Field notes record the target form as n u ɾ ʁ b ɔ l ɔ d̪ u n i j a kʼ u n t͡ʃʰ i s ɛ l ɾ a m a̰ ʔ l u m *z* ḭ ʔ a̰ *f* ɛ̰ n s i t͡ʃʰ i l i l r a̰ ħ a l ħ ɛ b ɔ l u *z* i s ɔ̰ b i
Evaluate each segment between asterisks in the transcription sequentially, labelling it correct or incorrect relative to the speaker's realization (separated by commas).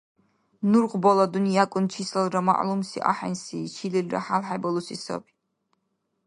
incorrect, incorrect, incorrect